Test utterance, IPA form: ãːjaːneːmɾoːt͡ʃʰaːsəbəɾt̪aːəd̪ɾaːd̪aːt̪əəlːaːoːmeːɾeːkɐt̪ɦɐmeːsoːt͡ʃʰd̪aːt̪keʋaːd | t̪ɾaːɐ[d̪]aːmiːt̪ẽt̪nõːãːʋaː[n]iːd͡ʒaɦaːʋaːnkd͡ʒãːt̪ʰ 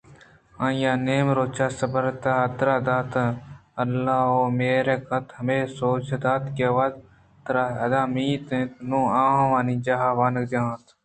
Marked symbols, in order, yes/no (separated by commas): yes, yes